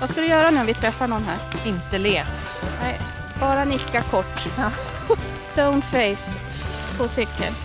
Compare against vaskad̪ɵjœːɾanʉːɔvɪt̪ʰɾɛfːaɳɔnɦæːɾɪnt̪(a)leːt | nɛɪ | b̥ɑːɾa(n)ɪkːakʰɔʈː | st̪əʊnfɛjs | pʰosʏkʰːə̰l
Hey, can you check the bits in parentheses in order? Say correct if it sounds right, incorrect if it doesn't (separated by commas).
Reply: incorrect, correct